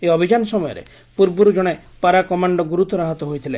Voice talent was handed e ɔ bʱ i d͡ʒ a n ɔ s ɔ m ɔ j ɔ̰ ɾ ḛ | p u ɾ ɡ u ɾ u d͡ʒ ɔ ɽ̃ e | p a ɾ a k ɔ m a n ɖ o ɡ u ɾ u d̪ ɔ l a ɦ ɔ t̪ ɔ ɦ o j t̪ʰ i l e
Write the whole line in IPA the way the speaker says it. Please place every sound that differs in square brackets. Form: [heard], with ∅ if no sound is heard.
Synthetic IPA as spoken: e ɔ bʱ i d͡ʒ a n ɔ s ɔ m ɔ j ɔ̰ ɾ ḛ | p u ɾ [b] u ɾ u d͡ʒ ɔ ɽ̃ e | p a ɾ a k ɔ m a [ɳ] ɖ [ɔ] ɡ u ɾ u [t̪] ɔ [ɾ] a ɦ ɔ t̪ ɔ ɦ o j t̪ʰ i l e